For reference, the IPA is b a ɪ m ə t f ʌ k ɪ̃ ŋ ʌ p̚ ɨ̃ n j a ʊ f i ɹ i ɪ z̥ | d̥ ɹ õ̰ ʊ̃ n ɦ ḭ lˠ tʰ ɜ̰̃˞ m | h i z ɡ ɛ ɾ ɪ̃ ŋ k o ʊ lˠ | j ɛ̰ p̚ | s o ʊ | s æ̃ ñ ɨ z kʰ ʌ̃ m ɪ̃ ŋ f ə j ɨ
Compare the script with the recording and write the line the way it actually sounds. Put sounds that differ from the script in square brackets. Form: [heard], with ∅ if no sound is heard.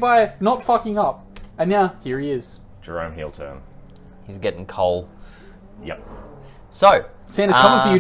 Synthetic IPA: b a ɪ [n] ə t f ʌ k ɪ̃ ŋ ʌ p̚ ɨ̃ n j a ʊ [h] i ɹ i ɪ z̥ | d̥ ɹ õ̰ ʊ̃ [m] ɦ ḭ lˠ tʰ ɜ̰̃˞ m | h i z ɡ ɛ ɾ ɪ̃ ŋ [kʰ] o ʊ lˠ | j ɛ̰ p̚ | s o ʊ | s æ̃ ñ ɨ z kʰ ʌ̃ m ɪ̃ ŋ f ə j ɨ